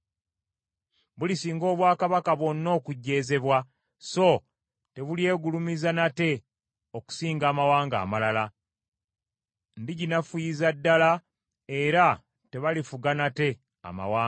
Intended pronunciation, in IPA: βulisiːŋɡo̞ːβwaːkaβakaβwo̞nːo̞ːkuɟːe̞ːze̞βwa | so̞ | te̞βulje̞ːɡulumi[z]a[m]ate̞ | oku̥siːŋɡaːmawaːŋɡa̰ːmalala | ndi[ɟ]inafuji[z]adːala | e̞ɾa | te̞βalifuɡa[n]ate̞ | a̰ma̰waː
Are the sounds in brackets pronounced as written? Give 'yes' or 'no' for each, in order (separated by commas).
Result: yes, no, yes, yes, yes